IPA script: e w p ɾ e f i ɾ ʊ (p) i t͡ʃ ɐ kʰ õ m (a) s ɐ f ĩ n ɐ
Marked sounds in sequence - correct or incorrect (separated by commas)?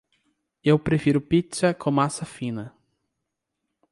correct, correct